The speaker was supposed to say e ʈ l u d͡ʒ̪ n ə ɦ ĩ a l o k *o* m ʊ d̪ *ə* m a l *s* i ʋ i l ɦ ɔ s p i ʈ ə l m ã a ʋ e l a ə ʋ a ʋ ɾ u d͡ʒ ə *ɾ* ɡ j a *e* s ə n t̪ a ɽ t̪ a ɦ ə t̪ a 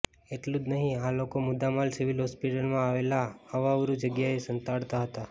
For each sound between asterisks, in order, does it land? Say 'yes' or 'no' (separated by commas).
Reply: yes, no, yes, no, yes